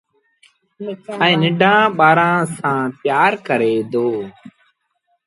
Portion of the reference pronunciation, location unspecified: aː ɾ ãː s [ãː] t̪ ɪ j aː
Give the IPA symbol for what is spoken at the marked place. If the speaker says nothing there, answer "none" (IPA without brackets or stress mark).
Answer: ãː